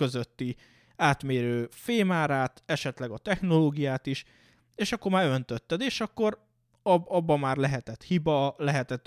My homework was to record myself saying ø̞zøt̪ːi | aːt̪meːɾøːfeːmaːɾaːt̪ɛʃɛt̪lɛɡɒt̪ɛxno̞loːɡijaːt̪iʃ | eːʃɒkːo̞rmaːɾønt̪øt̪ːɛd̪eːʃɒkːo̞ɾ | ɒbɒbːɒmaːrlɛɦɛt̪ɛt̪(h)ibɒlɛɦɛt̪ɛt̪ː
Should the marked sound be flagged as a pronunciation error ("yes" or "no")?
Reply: no